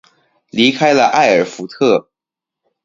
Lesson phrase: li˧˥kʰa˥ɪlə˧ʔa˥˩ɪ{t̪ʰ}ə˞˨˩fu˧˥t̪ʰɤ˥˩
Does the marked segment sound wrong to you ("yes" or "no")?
yes